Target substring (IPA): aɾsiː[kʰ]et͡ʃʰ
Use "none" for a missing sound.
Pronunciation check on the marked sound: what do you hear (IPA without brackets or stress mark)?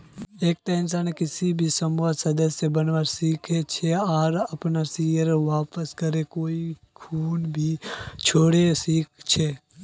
kʰ